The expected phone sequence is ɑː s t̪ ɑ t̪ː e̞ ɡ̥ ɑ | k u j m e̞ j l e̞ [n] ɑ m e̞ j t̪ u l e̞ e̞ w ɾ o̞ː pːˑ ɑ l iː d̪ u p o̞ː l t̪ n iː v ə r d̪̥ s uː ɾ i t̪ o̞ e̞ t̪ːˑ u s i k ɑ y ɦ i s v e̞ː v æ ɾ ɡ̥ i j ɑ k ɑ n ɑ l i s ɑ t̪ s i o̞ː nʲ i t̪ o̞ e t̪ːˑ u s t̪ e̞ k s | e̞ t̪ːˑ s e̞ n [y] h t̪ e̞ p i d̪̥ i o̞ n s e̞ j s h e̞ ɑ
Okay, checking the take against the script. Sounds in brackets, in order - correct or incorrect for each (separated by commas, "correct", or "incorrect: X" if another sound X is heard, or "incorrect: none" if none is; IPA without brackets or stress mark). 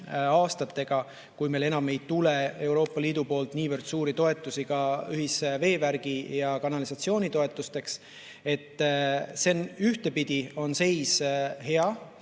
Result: correct, correct